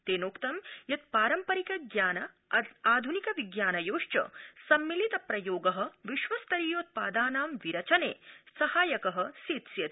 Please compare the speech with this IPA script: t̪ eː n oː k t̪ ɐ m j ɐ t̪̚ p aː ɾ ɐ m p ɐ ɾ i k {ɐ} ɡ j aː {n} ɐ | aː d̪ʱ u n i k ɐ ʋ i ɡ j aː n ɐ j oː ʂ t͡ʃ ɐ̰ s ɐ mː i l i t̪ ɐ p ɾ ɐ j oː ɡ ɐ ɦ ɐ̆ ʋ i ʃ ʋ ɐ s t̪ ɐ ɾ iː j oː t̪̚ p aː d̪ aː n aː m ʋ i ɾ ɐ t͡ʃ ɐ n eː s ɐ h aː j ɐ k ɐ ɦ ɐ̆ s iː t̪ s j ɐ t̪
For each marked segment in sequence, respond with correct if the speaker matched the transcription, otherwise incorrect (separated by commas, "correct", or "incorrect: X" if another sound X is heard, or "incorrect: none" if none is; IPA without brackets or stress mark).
correct, correct